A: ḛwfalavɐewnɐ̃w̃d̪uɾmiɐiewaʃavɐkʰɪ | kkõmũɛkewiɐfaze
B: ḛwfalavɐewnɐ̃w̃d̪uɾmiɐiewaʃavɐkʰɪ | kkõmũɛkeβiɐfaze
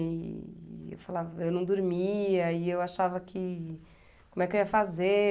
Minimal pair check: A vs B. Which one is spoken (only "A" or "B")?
A